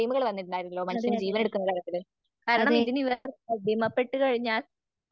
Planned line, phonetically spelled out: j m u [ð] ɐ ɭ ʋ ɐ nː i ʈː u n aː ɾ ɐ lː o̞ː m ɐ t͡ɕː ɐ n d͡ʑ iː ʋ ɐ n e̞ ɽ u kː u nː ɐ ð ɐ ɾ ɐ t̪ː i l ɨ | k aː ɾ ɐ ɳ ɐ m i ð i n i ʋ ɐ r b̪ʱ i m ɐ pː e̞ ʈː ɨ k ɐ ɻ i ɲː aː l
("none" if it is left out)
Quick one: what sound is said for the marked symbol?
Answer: ɣ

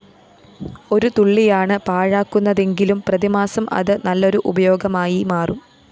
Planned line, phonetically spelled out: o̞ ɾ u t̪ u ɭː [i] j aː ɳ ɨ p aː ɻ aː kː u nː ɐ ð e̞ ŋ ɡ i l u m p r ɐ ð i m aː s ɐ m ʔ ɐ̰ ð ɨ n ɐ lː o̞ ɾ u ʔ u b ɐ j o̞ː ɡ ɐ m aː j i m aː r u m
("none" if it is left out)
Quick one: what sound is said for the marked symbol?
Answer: i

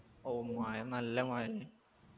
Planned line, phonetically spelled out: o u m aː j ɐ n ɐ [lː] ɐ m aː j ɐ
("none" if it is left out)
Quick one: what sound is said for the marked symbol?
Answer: lː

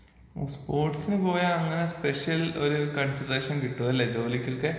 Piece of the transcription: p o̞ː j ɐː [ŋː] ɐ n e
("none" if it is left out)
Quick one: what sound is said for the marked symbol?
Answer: ŋː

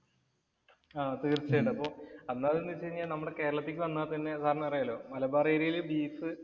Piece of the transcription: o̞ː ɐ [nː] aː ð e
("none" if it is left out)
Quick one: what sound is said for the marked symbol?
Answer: nː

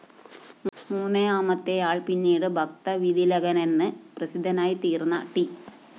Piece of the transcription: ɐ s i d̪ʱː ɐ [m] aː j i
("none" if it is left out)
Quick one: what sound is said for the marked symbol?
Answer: n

